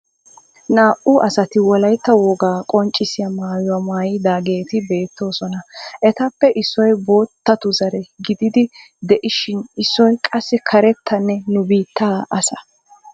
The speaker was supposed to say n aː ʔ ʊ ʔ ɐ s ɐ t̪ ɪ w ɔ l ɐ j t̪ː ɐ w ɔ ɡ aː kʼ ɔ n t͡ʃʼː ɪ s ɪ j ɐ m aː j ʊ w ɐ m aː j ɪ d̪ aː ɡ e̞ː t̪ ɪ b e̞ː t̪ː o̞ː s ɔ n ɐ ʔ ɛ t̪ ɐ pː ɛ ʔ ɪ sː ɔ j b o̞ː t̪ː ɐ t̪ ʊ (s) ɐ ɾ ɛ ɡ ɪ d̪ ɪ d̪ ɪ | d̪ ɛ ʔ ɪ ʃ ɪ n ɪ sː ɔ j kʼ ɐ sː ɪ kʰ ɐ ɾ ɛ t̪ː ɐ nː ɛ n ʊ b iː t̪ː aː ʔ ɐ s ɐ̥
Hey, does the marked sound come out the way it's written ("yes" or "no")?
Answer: no